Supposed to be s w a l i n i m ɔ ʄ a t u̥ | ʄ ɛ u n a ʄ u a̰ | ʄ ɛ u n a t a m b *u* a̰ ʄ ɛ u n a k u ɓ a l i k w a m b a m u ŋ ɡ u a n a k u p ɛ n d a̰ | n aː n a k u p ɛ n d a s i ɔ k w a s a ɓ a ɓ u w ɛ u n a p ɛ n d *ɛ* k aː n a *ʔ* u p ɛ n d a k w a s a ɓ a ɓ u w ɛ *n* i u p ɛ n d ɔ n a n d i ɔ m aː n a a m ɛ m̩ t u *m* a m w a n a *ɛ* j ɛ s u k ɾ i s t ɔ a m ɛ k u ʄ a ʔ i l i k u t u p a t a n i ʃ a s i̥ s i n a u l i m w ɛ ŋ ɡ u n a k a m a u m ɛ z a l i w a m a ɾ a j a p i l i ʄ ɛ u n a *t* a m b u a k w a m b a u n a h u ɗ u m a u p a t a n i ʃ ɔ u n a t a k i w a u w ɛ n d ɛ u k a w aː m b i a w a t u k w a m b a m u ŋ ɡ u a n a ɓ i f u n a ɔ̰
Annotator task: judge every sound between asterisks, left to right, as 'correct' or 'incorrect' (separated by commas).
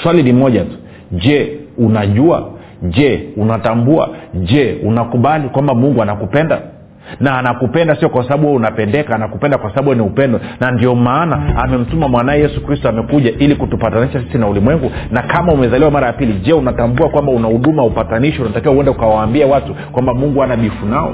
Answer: correct, correct, incorrect, correct, correct, correct, correct